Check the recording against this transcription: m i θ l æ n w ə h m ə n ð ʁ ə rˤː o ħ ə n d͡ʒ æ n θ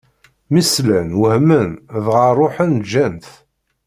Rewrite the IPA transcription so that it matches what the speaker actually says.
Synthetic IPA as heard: m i s l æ n w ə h m ə n ð ʁ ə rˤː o ħ ə n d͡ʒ æ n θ